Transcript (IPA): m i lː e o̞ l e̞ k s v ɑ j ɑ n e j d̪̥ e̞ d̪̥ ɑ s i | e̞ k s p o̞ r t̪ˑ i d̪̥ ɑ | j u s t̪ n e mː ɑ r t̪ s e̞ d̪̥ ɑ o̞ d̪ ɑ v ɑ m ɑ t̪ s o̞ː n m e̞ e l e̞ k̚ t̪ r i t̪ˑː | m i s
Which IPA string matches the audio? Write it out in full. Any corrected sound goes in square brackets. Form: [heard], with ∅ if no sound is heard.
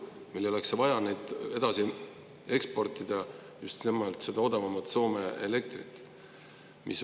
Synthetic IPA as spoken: m i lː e o̞ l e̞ k s v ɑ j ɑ n e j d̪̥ e̞ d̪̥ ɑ s i | e̞ k s p o̞ r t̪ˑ i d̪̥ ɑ | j u s t̪ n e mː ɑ [l] t̪ s e̞ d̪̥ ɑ o̞ d̪ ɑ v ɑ m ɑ t̪ s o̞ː [∅] m e̞ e l e̞ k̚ t̪ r i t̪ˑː | m i s